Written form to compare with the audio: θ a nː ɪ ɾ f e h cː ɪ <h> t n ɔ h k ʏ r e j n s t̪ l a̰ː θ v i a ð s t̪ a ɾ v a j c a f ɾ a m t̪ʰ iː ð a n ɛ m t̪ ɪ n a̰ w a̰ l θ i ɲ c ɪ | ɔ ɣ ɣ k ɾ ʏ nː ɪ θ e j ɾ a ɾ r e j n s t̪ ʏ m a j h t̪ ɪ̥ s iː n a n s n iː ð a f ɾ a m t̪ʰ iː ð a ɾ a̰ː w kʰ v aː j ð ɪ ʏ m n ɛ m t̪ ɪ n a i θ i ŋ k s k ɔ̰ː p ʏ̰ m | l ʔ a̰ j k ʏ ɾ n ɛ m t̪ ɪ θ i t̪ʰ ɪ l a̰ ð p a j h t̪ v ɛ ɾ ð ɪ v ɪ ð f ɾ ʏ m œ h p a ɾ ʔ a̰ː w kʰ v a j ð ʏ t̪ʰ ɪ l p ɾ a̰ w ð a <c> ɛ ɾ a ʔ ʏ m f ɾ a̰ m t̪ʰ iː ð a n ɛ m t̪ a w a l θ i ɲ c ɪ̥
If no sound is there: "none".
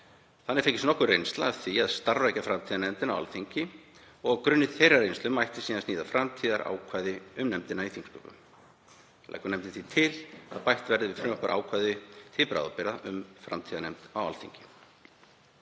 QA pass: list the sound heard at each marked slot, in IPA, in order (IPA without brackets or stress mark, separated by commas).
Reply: s, p